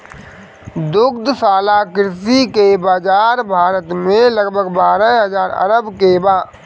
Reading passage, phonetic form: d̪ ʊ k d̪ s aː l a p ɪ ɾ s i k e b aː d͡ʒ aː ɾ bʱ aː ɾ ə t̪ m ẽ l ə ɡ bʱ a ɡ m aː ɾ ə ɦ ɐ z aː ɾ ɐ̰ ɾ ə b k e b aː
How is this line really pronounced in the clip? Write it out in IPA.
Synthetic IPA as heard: d̪ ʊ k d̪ s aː l a k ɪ ɾ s i k e b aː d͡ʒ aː ɾ bʱ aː ɾ ə t̪ m ẽ l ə ɡ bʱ ə ɡ b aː ɾ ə ɦ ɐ z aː ɾ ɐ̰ ɾ ə b k e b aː